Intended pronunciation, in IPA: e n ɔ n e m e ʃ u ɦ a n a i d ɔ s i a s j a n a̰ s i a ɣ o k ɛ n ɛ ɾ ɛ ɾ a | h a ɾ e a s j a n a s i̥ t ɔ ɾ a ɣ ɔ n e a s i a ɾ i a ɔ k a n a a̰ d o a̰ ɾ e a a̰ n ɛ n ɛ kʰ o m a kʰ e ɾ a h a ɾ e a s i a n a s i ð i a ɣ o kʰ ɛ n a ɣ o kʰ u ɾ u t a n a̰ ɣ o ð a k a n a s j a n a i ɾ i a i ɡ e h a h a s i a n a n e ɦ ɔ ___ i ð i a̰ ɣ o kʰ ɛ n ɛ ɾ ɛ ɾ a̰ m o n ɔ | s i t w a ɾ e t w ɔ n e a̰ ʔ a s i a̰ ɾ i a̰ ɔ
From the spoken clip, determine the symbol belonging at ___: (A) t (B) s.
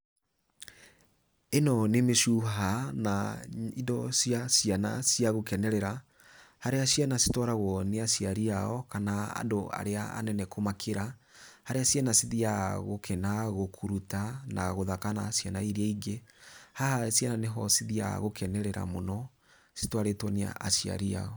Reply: B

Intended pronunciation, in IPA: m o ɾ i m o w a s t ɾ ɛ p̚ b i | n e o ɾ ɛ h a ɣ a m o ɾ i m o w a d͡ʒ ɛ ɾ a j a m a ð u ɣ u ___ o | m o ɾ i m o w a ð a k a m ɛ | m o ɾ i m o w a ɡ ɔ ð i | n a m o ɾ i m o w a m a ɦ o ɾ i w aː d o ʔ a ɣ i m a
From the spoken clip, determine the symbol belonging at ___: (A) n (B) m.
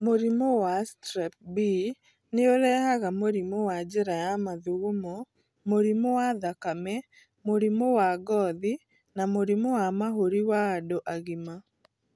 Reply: B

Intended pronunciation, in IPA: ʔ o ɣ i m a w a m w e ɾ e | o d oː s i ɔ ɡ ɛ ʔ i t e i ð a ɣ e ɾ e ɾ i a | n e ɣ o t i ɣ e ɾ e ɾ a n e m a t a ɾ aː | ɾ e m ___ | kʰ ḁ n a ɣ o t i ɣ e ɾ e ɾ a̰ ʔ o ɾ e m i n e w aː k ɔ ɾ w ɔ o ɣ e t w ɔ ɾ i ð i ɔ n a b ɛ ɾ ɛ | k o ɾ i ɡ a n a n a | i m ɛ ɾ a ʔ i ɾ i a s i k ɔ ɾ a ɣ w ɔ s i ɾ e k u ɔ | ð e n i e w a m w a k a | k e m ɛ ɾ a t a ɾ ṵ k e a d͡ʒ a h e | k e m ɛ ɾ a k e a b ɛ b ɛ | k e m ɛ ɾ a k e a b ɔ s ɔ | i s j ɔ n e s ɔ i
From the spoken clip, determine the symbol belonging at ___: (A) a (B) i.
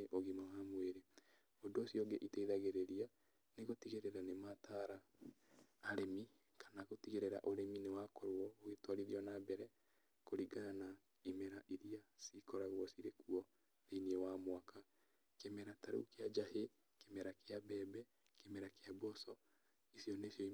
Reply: B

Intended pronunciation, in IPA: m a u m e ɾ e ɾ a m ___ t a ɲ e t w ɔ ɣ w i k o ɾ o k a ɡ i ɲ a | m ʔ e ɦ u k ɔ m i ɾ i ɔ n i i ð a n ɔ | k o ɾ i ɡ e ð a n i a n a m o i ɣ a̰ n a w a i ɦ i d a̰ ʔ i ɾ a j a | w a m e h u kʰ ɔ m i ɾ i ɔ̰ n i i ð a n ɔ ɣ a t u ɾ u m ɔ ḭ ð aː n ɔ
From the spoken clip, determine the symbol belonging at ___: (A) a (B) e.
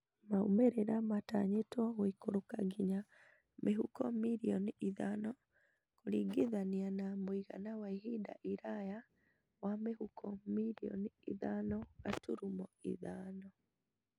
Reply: A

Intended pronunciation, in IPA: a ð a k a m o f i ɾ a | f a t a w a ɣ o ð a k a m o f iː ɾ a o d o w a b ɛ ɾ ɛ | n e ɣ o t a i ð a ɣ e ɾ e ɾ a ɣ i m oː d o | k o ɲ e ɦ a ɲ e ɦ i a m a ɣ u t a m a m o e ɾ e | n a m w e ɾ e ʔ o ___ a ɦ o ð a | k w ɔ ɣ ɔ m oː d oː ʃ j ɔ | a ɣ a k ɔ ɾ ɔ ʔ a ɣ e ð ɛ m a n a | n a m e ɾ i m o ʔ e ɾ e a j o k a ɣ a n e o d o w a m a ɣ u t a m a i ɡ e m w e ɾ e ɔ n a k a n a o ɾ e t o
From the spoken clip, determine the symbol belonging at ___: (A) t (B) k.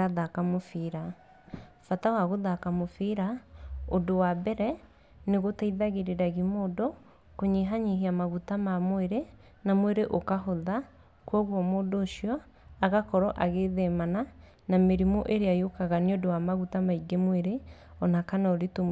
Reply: B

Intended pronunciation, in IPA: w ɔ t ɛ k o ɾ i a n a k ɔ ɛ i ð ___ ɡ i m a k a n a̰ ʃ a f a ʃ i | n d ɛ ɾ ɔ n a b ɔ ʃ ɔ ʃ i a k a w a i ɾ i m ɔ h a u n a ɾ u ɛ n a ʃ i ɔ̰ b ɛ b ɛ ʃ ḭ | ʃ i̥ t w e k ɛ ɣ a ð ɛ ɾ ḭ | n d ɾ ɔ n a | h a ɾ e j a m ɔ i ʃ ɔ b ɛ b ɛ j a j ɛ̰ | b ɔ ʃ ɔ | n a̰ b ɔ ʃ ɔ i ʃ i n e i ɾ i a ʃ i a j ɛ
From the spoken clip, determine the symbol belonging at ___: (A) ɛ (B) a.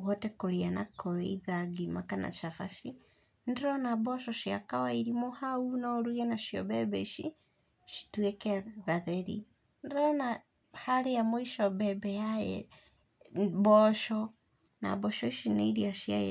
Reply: B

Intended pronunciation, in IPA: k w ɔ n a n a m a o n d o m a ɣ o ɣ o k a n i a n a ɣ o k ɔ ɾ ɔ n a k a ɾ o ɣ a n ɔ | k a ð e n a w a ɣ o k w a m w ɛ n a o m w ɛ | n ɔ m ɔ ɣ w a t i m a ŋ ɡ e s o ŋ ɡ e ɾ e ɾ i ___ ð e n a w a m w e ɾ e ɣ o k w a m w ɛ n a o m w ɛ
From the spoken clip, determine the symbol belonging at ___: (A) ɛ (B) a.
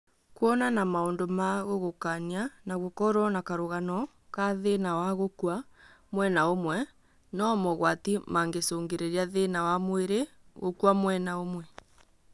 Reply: B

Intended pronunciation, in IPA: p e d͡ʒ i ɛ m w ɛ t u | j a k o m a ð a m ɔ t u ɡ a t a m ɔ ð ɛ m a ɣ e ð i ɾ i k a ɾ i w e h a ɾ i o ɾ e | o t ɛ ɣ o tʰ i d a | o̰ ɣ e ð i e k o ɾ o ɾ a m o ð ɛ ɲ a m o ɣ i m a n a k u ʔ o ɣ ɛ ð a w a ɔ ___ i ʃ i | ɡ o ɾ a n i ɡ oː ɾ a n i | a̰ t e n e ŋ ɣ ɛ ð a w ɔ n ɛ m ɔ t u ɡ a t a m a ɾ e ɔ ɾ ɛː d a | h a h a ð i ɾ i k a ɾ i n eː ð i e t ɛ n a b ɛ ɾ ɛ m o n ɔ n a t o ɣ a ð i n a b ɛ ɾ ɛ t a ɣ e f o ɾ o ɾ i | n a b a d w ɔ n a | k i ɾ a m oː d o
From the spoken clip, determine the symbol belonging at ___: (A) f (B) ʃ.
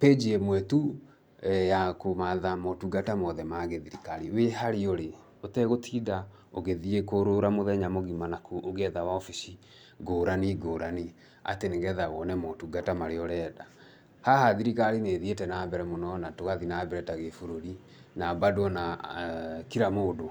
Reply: A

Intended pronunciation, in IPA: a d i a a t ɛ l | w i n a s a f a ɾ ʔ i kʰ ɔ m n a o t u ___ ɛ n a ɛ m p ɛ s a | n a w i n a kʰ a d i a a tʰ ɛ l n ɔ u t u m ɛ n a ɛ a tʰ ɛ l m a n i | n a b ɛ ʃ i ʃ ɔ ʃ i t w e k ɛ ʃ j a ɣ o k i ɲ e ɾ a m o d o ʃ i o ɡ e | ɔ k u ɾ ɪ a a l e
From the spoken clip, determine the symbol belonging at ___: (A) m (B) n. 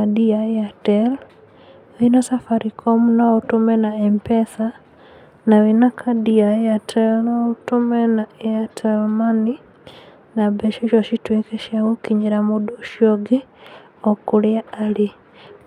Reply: A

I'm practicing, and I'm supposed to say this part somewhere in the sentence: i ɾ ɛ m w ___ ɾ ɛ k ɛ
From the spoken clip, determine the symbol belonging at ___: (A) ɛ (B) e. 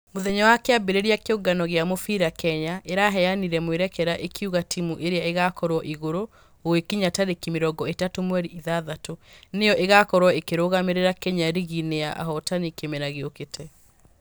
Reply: B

